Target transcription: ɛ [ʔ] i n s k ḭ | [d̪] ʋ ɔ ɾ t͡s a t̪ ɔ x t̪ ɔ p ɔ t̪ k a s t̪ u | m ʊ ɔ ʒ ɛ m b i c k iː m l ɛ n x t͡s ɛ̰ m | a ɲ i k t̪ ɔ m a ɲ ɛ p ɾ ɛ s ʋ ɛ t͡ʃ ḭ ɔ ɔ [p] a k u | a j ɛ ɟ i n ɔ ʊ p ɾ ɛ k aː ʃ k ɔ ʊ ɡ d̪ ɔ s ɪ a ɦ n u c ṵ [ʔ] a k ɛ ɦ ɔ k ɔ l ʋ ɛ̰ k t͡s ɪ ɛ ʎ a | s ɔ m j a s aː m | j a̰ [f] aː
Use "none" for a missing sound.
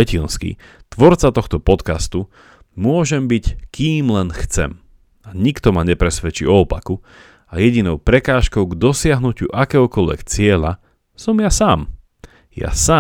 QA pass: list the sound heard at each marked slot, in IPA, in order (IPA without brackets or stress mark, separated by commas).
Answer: c, t̪, p, ʔ, s